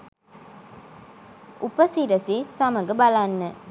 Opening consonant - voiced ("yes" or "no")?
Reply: no